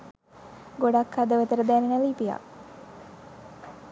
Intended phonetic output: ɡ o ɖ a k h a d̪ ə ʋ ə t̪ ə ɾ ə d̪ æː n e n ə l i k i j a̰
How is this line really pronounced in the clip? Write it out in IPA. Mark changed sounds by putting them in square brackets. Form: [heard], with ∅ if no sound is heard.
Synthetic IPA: ɡ o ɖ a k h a d̪ ə ʋ ə t̪ ə ɾ ə d̪ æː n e n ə l i [p] i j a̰